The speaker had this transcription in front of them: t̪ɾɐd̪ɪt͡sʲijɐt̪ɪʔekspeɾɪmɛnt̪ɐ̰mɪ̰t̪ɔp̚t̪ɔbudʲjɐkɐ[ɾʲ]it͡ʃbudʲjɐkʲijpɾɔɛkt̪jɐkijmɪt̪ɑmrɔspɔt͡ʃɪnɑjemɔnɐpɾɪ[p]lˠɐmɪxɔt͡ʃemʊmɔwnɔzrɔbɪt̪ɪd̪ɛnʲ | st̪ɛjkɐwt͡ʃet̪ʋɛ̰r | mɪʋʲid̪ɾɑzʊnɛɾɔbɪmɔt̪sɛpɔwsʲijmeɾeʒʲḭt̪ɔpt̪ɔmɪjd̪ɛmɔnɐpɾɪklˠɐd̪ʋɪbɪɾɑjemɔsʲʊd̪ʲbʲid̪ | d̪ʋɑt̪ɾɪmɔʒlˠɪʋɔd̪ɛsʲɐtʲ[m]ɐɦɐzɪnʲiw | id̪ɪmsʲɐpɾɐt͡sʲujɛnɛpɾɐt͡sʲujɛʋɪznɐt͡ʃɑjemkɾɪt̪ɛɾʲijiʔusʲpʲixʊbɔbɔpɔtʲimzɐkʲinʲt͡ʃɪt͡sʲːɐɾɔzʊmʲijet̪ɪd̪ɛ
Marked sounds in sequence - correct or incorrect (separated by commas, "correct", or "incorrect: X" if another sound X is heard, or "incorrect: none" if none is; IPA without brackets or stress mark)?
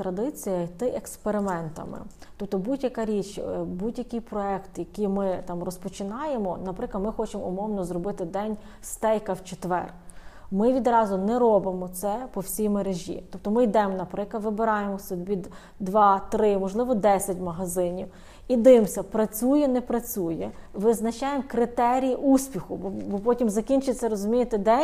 correct, incorrect: k, correct